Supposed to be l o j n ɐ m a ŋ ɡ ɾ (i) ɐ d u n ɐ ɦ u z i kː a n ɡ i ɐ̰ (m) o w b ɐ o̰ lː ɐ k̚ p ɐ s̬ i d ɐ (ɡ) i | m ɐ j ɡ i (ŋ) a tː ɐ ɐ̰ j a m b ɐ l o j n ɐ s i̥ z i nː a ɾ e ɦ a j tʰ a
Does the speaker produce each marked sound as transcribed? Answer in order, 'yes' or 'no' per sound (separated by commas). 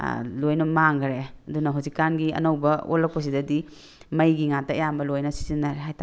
no, no, no, yes